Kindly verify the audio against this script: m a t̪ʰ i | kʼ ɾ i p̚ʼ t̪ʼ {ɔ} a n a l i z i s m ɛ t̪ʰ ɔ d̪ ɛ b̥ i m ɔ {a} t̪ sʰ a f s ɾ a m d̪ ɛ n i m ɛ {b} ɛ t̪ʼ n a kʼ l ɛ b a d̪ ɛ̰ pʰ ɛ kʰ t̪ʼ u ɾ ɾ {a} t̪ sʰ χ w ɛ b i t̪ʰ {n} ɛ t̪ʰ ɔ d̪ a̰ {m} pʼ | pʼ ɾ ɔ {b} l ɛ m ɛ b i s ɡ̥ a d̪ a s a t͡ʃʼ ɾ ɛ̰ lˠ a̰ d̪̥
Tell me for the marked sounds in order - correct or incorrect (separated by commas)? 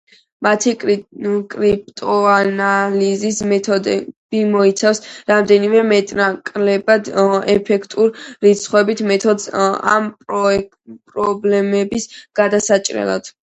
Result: correct, incorrect, incorrect, incorrect, incorrect, correct, correct